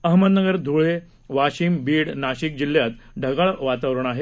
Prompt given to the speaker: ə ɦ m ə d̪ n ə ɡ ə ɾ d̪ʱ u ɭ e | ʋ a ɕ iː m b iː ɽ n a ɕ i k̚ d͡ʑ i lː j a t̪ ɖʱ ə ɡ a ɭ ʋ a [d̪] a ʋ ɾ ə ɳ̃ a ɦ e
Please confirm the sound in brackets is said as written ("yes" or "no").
no